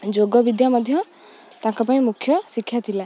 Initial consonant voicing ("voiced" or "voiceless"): voiced